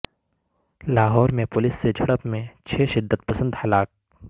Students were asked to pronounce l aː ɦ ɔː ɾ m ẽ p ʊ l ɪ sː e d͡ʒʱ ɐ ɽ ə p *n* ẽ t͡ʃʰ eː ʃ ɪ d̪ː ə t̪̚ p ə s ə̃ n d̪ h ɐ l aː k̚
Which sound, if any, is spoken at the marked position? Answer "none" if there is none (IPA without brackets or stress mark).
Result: m